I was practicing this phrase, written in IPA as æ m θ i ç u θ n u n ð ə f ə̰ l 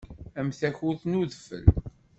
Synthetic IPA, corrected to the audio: æ m θ æ ç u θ n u ð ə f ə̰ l